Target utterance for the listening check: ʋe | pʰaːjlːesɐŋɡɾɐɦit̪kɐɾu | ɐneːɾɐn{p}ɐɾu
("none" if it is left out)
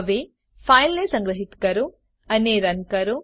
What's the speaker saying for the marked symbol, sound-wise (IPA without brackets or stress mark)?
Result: k